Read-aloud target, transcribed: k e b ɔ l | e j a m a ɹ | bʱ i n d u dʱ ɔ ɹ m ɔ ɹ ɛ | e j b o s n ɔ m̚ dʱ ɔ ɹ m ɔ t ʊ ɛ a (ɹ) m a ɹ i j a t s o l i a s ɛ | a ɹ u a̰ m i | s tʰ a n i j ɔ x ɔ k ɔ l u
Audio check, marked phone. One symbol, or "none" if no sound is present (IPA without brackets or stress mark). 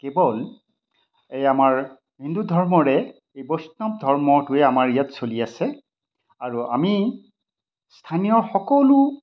none